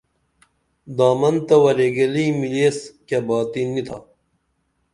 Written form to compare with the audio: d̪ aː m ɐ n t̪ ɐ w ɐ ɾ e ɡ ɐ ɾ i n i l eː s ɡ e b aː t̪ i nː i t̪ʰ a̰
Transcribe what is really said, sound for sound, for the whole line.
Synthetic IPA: d̪ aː m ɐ n t̪ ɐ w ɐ ɾ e ɡ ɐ l i m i l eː s k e b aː t̪ i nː i t̪ʰ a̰

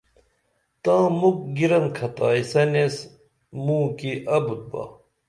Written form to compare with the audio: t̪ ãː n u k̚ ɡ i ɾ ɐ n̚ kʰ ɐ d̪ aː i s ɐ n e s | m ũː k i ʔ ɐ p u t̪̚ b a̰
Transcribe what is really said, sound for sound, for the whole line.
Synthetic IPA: t̪ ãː m u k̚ ɡ i ɾ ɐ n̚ kʰ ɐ t̪ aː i s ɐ n e s | m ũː k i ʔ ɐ b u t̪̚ b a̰

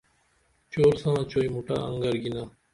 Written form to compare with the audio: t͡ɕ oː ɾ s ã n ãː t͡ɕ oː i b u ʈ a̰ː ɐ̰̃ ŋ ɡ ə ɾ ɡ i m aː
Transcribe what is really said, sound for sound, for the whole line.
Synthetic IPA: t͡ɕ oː ɾ s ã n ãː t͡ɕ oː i m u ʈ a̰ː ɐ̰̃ ŋ ɡ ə ɾ ɡ i n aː

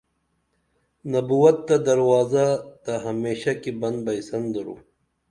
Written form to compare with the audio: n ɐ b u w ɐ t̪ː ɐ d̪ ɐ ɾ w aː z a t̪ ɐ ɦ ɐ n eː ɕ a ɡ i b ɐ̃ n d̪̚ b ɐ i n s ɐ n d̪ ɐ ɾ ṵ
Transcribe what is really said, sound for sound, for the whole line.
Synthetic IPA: n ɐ b u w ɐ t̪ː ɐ d̪ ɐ ɾ w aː z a t̪ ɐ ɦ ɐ m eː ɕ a k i b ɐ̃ n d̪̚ b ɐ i s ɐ n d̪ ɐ ɾ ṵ

